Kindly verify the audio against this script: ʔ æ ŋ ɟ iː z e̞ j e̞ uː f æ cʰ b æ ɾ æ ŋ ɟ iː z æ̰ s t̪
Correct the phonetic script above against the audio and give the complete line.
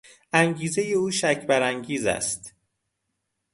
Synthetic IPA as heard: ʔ æ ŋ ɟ iː z e̞ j e̞ uː ʃ æ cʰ b æ ɾ æ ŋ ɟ iː z æ̰ s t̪